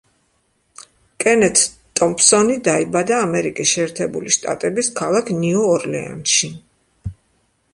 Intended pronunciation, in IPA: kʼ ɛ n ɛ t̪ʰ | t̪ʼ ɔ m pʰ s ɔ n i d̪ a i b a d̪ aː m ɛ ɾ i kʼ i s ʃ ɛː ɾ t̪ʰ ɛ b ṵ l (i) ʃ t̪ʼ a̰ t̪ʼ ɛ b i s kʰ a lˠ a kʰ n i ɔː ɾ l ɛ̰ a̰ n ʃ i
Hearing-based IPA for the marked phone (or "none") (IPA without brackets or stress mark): i